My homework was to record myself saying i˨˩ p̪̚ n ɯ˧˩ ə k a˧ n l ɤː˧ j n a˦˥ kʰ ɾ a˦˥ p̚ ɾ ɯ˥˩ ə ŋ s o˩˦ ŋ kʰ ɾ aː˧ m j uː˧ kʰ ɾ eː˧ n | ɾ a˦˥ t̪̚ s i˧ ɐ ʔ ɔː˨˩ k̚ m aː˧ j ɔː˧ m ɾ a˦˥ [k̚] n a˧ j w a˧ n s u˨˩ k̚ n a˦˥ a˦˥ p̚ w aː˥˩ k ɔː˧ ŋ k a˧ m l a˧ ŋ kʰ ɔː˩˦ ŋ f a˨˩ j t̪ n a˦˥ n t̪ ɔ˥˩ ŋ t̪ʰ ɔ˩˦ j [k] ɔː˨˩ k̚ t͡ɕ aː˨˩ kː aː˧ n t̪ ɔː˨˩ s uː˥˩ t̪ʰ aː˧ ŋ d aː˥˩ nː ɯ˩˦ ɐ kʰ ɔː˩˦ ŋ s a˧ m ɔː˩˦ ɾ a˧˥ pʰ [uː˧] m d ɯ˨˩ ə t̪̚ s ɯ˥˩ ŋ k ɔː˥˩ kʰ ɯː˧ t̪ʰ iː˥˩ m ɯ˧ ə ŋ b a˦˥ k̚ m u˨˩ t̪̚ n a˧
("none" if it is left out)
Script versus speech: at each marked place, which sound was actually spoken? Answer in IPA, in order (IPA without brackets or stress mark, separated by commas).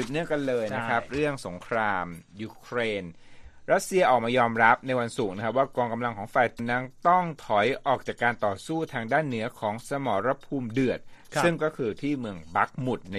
p̚, ʔ, uː˧